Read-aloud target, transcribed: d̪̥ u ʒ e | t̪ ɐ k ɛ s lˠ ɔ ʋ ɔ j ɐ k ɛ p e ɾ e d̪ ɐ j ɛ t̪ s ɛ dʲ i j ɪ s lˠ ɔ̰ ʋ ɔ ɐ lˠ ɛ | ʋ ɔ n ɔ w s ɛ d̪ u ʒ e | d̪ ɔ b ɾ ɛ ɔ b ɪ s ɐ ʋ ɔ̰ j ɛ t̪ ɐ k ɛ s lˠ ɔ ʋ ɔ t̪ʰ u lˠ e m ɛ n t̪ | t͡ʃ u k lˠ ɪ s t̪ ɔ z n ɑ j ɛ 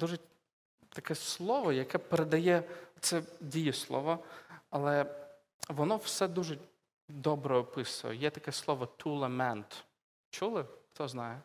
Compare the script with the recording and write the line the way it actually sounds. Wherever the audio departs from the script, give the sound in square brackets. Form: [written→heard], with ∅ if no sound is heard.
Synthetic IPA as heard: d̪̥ u ʒ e | t̪ ɐ k ɛ s lˠ ɔ ʋ ɔ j ɐ k ɛ p e ɾ e d̪ ɐ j ɛ t̪ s ɛ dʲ i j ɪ s lˠ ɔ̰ ʋ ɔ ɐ lˠ ɛ | ʋ ɔ n ɔ w s ɛ d̪ u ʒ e | d̪ ɔ b ɾ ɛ ɔ [b→p] ɪ s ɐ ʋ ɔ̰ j ɛ t̪ ɐ k ɛ s lˠ ɔ ʋ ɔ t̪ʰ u lˠ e m ɛ n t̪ | t͡ʃ u [k→∅] lˠ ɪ [s→x] t̪ ɔ z n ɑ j ɛ